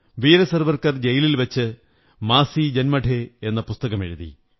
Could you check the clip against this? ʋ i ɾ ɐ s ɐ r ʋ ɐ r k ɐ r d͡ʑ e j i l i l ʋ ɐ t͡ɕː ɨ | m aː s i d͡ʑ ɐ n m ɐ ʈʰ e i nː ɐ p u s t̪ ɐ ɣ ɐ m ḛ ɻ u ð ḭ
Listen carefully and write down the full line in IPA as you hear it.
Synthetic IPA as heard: ʋ iː ɾ ɐ s ɐ r ʋ ɐ r k ɐ r d͡ʑ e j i l i l ʋ ɐ t͡ɕː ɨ | m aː s i d͡ʑ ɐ n m ɐ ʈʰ e e nː ɐ p u s t̪ ɐ ɣ ɐ m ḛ ɻ u ð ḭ

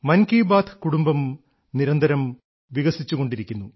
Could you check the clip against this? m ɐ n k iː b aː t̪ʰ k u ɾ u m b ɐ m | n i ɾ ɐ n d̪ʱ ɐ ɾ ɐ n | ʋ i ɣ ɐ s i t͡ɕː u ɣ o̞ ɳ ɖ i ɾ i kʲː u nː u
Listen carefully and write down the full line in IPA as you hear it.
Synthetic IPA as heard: m ɐ n k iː b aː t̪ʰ k u ɽ u m b ɐ m | n i ɾ ɐ n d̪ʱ ɐ ɾ ɐ m | ʋ i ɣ ɐ s i t͡ɕː u ɣ o̞ ɳ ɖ i ɾ i kʲː u nː u

